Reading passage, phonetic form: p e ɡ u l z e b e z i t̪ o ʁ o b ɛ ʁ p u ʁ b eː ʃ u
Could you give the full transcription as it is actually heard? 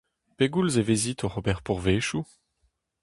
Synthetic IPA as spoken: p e ɡ u l z e v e z i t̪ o ʁ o b ɛ ʁ p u ʁ v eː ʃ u